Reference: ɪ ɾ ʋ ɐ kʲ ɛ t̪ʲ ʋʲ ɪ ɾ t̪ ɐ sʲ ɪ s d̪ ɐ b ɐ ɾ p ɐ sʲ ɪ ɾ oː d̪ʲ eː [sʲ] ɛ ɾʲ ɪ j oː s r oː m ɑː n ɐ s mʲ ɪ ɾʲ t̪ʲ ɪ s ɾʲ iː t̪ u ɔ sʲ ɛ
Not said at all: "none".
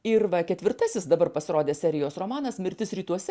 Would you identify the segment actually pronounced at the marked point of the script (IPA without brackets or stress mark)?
sʲ